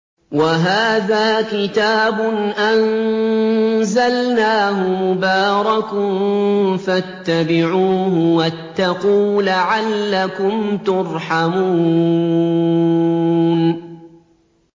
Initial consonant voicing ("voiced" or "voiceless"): voiced